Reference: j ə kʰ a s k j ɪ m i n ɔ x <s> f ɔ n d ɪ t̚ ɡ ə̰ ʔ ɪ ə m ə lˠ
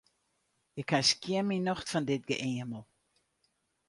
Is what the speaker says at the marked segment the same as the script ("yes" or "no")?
no